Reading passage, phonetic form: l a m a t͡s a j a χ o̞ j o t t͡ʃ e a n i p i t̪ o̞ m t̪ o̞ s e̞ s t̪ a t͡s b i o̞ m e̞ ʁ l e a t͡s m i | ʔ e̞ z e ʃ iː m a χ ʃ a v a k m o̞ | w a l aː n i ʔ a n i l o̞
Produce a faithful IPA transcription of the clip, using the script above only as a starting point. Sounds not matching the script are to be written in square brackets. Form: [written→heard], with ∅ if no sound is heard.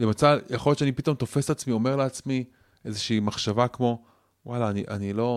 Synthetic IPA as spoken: l [a→e] m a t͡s a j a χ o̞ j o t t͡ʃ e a n i p i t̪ o̞ m t̪ o̞ [s→f] e̞ s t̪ a t͡s [b→m] i o̞ m e̞ ʁ l e a t͡s m i | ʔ e̞ z e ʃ iː m a χ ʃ a v a k m o̞ | w a l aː n i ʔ a n i l o̞